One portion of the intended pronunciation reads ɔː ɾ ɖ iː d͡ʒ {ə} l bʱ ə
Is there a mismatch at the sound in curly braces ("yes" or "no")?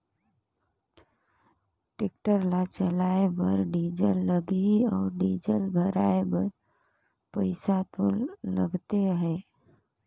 no